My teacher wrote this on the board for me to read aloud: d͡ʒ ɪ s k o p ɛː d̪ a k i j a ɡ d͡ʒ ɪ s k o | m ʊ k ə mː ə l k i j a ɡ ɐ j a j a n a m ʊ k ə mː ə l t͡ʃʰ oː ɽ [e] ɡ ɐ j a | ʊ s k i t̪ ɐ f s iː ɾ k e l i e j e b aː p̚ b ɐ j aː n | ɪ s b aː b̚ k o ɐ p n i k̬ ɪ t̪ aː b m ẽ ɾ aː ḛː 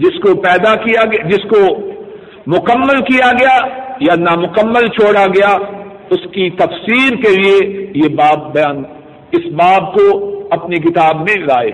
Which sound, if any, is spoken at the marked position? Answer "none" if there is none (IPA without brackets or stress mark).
a